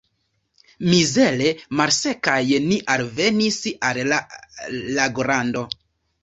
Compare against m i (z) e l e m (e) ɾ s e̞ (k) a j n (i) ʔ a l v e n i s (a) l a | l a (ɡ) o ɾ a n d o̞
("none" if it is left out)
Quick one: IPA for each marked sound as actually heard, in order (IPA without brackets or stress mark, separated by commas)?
z, a, k, i, a, ɡ